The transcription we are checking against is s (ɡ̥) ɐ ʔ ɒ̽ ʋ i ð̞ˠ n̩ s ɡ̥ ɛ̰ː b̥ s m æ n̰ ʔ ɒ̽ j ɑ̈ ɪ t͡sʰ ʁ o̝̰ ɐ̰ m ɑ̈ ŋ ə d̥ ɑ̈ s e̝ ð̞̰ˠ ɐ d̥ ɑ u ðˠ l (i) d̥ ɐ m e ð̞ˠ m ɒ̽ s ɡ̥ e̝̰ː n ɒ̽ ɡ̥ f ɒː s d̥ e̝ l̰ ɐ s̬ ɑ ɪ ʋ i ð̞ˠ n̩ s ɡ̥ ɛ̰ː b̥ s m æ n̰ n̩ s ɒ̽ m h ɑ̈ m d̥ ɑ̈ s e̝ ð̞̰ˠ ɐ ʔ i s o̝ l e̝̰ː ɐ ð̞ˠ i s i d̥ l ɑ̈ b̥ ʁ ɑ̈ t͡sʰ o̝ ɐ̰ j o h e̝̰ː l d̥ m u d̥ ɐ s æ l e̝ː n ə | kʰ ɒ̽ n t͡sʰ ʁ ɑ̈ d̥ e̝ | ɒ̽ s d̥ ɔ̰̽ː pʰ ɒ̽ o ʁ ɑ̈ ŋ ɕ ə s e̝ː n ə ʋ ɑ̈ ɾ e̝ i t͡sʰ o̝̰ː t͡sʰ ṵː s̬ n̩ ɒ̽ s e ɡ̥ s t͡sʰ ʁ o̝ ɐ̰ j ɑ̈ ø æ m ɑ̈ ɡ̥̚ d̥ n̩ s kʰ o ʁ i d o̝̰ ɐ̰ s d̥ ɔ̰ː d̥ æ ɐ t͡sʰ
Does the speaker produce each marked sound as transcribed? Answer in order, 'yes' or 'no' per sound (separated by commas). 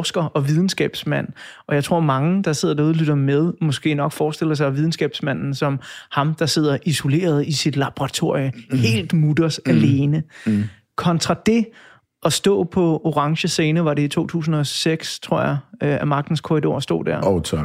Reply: yes, no